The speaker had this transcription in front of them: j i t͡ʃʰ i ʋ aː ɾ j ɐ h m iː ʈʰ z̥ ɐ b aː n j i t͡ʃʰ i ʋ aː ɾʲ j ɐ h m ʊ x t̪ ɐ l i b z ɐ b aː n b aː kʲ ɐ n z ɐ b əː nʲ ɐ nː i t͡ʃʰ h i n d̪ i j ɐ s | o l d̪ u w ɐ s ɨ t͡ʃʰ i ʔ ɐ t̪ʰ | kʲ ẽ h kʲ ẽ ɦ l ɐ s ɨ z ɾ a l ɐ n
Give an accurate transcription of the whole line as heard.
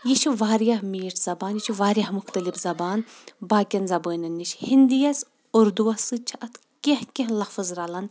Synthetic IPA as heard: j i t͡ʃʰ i ʋ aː ɾ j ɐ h m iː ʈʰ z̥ ɐ b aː n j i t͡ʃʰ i ʋ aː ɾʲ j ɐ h m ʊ x t̪ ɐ l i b z ɐ b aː n b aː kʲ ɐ n z ɐ b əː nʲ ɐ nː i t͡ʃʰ h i n d̪ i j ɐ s | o ɾ d̪ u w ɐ s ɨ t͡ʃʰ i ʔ ɐ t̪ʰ | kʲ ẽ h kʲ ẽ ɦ l ɐ f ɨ z ɾ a l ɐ n